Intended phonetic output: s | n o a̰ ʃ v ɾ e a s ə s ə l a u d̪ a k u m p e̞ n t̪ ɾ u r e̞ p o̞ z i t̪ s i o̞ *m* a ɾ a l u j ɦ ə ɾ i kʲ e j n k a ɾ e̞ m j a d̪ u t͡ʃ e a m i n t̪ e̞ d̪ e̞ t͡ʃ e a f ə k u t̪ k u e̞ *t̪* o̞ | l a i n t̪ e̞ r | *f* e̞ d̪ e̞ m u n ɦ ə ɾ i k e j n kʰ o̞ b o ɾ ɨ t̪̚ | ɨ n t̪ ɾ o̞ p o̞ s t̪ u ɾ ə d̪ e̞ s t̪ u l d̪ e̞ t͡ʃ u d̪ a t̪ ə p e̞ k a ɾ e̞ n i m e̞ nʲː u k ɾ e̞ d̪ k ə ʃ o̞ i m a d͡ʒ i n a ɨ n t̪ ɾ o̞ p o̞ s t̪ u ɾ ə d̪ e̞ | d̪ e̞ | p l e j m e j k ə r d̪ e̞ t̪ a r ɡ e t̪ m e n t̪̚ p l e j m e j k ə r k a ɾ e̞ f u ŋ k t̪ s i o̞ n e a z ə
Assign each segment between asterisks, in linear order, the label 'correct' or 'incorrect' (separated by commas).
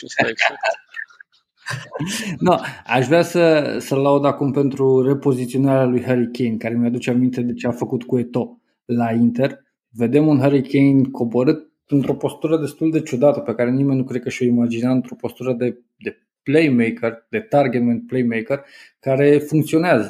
incorrect, correct, incorrect